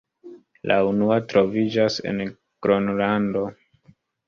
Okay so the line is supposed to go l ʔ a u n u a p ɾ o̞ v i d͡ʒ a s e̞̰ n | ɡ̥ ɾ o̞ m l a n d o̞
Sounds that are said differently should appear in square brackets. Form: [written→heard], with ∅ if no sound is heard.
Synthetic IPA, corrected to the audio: l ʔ a u n u a [p→t] ɾ o̞ v i d͡ʒ a s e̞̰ n | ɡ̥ ɾ o̞ [m→n] l a n d o̞